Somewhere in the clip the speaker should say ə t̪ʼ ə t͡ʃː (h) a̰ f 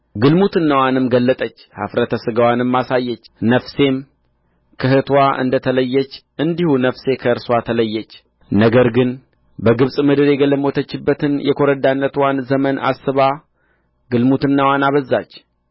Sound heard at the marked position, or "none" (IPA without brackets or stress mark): h